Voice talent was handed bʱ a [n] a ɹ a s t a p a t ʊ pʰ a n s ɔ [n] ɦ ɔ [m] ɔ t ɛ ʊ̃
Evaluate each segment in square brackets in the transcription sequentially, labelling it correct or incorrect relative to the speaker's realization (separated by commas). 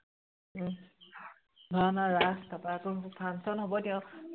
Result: correct, correct, incorrect